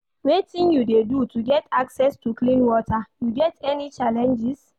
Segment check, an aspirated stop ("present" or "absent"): absent